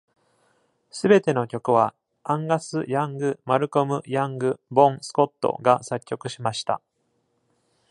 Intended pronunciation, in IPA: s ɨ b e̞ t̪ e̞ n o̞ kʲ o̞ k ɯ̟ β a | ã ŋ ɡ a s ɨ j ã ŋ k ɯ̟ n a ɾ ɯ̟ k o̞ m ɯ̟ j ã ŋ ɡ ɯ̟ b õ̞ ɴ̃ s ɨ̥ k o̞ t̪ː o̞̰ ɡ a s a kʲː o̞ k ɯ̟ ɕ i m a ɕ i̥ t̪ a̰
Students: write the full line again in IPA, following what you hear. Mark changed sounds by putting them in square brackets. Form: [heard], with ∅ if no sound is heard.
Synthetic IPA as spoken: s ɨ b e̞ t̪ e̞ n o̞ kʲ o̞ k ɯ̟ β a | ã ŋ ɡ a s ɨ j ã ŋ [ɡ] ɯ̟ [m] a ɾ ɯ̟ k o̞ m ɯ̟ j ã ŋ ɡ ɯ̟ b õ̞ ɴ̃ s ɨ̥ k o̞ t̪ː o̞̰ ɡ a s a kʲː o̞ k ɯ̟ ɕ i m a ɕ i̥ t̪ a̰